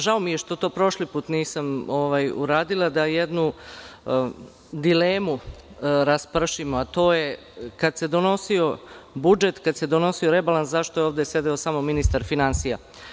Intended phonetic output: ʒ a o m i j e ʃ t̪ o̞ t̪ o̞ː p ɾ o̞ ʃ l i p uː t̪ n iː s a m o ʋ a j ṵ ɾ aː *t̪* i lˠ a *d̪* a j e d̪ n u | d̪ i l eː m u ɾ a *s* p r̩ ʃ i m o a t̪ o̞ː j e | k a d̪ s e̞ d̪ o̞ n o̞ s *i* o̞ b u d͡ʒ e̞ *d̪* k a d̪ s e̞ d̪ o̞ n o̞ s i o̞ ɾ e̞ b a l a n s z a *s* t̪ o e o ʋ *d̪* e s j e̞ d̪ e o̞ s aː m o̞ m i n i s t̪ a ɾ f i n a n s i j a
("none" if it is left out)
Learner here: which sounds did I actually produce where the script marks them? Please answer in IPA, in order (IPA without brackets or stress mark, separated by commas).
d̪, d̪, s, i, t̪, ʃ, d̪